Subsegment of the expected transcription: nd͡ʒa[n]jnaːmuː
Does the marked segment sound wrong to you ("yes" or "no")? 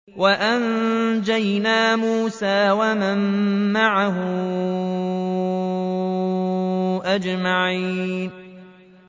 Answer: yes